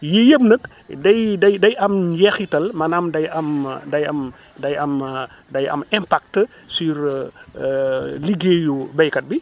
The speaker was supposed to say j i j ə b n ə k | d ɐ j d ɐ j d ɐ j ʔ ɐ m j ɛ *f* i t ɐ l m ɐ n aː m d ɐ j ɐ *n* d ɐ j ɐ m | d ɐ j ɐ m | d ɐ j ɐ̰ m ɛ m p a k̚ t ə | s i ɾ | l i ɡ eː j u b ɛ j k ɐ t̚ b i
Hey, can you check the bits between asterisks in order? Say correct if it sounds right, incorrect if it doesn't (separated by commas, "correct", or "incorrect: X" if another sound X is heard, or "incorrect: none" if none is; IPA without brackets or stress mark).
incorrect: x, incorrect: m